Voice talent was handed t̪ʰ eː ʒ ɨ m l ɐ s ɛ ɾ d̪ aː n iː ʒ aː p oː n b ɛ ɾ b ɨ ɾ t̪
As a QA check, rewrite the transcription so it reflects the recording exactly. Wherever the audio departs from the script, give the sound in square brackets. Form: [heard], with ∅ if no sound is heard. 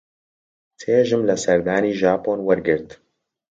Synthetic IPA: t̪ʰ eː ʒ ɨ m l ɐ s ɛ ɾ d̪ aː n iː ʒ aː p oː n [w] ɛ ɾ [ɡ] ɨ ɾ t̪